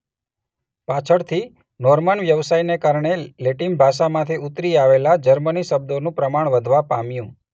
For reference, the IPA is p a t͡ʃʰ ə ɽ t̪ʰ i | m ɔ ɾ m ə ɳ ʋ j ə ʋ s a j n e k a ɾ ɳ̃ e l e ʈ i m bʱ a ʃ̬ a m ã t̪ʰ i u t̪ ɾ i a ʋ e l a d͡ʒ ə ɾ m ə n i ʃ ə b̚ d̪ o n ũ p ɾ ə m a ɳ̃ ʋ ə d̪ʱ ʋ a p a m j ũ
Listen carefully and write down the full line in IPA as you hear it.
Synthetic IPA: p a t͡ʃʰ ə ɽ t̪ʰ i | n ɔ ɾ m ə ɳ ʋ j ə ʋ s a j n e k a ɾ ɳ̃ e l e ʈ i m bʱ a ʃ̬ a m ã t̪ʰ i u t̪ ɾ i a ʋ e l a d͡ʒ ə ɾ m ə n i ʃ ə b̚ d̪ o n ũ p ɾ ə m a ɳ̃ ʋ ə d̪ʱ ʋ a p a m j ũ